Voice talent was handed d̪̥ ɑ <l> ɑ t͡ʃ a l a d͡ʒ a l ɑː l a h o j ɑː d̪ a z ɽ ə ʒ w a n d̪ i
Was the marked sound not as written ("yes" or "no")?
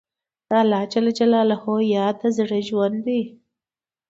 no